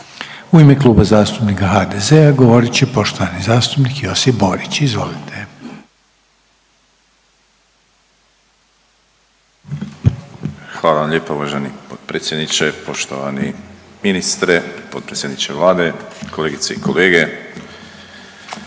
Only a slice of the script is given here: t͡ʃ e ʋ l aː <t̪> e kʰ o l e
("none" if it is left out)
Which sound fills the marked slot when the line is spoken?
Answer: d̪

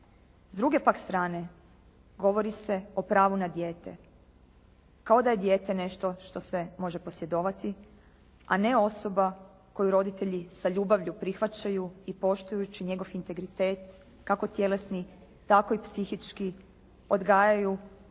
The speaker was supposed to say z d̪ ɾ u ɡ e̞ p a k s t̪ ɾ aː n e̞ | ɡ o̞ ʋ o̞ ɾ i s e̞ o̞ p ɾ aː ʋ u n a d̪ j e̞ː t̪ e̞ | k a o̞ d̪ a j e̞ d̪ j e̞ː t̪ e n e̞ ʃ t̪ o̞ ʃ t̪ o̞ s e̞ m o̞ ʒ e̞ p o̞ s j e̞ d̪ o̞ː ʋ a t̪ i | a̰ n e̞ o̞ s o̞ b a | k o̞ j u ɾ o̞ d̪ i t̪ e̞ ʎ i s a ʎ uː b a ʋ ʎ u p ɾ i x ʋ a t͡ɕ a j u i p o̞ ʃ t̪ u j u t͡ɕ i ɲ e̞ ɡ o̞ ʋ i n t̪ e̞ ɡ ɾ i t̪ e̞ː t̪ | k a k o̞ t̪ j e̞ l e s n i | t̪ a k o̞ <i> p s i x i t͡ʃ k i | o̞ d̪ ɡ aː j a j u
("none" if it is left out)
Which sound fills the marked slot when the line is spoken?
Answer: i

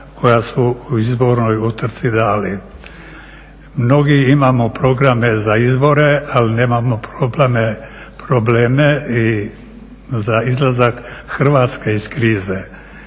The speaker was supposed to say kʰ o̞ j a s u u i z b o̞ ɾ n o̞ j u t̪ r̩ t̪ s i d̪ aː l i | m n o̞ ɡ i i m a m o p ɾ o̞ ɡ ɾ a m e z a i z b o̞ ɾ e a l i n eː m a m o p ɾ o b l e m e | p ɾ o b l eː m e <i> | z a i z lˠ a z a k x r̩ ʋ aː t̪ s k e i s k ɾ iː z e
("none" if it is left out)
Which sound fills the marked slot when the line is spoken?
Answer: i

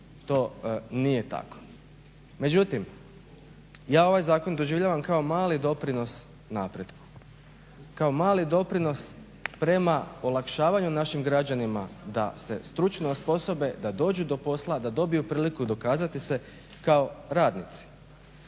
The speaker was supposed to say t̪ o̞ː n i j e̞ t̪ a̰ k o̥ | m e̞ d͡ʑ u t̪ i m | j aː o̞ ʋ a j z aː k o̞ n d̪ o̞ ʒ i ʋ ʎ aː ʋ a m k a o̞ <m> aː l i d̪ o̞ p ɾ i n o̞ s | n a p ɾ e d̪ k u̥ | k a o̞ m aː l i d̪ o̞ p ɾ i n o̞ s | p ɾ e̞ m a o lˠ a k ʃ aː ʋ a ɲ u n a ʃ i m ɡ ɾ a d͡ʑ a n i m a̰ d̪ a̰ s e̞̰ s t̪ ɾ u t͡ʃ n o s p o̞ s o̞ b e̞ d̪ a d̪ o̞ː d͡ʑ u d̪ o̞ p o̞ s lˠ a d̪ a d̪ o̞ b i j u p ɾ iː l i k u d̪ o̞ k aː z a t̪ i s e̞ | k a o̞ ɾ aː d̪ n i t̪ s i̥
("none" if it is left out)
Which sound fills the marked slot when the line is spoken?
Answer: m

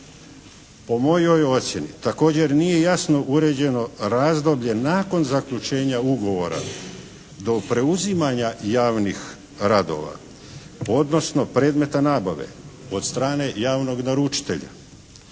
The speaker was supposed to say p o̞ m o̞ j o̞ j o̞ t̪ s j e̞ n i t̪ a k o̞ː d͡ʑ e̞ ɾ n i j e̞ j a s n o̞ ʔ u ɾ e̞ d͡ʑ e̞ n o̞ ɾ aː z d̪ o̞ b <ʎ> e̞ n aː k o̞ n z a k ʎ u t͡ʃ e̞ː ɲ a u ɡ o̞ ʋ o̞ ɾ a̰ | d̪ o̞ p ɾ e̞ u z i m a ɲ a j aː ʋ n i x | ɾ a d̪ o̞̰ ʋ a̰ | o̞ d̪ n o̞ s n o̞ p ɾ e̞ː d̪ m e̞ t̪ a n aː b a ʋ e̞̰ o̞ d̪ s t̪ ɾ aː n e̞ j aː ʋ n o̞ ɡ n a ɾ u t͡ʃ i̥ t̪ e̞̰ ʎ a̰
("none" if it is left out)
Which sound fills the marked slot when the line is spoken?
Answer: ʎ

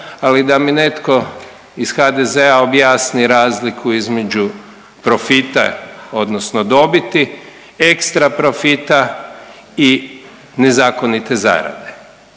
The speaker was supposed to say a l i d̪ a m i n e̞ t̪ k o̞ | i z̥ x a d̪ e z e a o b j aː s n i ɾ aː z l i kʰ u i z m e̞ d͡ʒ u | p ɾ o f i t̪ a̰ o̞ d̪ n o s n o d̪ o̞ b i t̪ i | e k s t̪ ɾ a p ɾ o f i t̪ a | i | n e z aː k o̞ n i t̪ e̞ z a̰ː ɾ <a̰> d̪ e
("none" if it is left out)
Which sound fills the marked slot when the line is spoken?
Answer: a̰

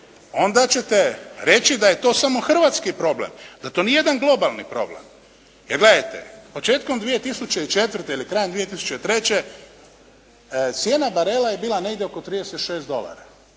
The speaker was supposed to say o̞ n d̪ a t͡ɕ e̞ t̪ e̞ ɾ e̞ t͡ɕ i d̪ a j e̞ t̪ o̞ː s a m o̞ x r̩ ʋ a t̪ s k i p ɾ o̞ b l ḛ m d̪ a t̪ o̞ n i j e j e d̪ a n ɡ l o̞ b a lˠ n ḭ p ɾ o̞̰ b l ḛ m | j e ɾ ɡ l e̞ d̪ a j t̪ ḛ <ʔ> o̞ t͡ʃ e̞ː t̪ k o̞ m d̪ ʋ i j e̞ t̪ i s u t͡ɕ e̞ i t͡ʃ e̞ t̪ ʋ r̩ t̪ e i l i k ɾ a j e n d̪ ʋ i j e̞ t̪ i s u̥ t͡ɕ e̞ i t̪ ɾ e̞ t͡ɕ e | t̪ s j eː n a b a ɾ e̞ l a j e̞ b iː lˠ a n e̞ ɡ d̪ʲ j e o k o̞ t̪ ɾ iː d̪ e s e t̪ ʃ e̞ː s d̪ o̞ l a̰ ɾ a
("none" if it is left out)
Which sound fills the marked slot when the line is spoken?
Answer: p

